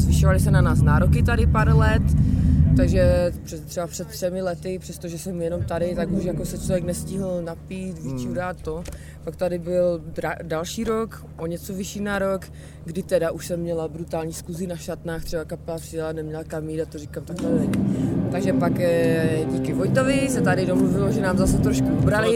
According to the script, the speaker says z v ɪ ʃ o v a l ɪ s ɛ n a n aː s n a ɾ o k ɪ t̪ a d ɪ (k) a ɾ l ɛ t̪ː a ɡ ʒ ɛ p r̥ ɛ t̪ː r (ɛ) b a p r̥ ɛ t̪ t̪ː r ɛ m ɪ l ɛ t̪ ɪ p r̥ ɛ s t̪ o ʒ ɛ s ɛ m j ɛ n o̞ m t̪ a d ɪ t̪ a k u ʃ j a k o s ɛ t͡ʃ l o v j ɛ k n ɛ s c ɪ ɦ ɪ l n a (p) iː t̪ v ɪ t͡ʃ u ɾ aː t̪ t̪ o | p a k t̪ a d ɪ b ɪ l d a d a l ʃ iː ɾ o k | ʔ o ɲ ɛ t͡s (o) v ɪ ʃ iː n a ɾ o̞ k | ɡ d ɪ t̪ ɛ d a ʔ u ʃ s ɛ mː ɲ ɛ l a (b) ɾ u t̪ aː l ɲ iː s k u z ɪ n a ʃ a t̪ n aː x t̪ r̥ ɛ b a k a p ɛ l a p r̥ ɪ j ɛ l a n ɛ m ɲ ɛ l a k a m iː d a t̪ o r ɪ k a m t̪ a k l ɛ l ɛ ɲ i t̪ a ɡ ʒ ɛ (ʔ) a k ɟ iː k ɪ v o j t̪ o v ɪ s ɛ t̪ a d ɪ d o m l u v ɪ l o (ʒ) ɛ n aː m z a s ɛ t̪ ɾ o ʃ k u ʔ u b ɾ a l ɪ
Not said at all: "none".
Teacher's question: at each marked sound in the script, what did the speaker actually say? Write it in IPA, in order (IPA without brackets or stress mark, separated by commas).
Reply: p, ɛ, p, o, b, p, ʒ